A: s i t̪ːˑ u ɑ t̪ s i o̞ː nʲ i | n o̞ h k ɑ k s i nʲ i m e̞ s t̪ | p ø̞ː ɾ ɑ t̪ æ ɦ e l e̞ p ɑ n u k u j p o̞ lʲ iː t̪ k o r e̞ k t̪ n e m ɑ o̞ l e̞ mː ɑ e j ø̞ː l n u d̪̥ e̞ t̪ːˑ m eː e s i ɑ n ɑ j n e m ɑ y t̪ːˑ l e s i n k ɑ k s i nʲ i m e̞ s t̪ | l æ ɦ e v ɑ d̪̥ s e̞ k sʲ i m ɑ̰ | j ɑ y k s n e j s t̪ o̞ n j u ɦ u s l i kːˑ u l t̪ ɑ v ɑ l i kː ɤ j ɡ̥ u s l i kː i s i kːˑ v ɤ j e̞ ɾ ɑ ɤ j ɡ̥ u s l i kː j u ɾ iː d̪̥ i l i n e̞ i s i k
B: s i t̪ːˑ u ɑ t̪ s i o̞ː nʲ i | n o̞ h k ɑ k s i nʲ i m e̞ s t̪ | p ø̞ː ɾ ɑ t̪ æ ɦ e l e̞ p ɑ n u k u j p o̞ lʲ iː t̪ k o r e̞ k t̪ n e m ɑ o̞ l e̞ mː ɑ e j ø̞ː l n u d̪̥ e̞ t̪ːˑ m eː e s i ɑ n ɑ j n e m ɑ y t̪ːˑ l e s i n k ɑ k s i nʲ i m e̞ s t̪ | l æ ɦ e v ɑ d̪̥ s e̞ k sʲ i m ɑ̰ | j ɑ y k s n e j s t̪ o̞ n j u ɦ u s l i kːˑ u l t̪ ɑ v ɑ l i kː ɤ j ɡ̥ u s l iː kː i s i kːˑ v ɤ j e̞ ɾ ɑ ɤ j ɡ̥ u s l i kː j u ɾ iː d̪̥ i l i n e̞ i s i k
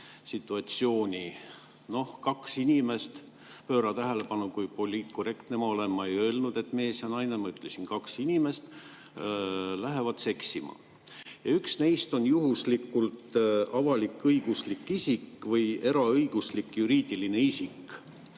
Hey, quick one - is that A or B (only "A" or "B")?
A